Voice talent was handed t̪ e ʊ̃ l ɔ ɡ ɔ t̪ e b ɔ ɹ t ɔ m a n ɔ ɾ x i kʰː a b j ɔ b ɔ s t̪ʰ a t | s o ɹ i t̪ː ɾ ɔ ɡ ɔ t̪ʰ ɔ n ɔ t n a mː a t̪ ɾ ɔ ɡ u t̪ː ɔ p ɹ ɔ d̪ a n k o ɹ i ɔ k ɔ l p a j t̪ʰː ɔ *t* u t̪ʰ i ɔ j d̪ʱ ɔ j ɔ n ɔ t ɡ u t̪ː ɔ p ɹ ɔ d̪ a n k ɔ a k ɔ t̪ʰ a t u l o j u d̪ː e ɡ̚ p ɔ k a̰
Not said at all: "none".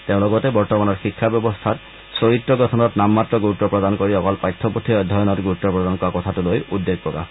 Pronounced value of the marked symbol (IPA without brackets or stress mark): p